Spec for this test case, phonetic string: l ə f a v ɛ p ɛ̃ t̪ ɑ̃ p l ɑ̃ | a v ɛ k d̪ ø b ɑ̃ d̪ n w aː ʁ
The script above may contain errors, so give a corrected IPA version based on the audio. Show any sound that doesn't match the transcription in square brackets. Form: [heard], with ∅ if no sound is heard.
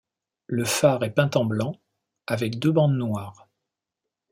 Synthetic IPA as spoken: l ə f a [ʁ] ɛ p ɛ̃ t̪ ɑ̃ [b] l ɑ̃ | a v ɛ k d̪ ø b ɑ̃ d̪ n w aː ʁ